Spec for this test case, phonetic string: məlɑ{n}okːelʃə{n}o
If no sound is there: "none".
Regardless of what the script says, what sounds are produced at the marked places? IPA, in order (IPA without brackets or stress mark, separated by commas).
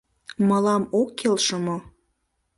m, m